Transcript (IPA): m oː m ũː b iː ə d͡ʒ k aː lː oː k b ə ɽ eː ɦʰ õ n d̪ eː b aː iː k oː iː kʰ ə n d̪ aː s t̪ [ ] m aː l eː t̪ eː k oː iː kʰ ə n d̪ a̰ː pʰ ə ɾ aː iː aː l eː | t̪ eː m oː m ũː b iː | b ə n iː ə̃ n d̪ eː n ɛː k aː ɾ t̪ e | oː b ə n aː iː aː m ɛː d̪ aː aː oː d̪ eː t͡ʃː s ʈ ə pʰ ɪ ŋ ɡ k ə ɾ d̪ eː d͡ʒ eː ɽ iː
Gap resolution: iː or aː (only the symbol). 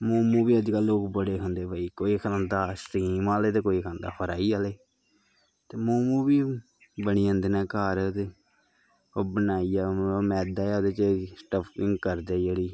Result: iː